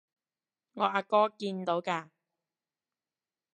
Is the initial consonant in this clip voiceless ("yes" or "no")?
no